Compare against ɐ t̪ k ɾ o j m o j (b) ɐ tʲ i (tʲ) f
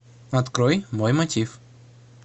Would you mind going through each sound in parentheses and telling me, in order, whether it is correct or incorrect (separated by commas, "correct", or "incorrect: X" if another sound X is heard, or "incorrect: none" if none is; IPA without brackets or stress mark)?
incorrect: m, incorrect: none